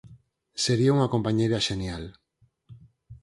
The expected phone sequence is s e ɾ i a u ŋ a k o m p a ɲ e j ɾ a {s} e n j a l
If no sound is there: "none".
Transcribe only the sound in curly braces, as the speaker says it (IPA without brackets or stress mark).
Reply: ʃ